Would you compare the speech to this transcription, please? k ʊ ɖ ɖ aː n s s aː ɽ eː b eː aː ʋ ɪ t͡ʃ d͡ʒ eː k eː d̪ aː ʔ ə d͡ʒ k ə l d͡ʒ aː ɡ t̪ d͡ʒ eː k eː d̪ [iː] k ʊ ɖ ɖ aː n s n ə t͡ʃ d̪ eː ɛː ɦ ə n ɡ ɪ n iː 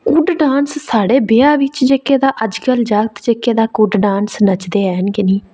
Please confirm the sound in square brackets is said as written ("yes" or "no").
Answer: no